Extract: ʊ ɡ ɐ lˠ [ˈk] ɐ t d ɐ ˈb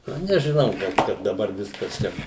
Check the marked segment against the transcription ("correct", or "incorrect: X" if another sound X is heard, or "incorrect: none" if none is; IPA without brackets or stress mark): correct